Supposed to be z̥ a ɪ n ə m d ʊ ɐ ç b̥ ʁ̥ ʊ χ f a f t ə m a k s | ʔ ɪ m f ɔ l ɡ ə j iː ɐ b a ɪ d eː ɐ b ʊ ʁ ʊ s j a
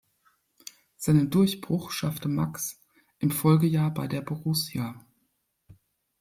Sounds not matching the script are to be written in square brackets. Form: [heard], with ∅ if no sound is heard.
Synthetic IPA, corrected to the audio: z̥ a ɪ n ə [n] d ʊ ɐ ç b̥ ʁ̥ ʊ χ [ʃ] a f t ə m a k s | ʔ ɪ m f ɔ l ɡ ə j [aː] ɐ b a ɪ d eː ɐ b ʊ ʁ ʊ s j a